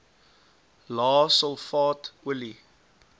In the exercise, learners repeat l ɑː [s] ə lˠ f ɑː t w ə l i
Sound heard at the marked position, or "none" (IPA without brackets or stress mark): s